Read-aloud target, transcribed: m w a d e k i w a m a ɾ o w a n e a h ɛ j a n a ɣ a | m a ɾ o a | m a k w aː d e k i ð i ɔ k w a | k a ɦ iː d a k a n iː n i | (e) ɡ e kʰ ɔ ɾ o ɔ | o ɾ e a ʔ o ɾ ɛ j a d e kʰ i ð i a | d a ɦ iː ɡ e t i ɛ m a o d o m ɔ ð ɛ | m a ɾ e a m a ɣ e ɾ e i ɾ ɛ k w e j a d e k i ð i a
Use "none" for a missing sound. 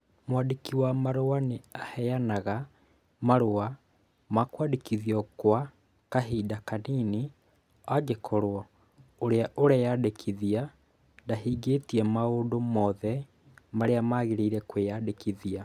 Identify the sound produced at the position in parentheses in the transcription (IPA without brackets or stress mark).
a